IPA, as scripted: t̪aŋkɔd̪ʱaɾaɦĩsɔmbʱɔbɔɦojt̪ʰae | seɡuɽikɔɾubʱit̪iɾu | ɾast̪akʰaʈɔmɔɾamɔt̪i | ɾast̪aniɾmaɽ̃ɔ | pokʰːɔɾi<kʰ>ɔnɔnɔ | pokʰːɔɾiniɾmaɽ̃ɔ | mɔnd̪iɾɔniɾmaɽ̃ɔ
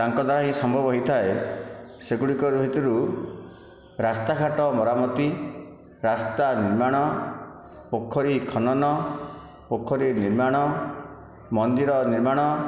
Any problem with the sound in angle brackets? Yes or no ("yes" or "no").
no